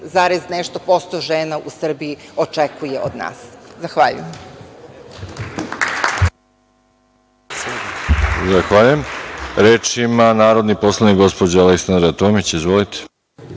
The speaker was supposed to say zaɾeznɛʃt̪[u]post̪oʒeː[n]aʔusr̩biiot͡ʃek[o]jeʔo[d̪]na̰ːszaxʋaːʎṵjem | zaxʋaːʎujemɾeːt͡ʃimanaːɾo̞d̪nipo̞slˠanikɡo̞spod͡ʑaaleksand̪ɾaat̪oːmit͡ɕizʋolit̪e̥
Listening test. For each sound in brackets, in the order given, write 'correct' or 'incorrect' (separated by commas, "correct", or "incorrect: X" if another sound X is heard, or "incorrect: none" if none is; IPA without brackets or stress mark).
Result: incorrect: o, correct, incorrect: u, correct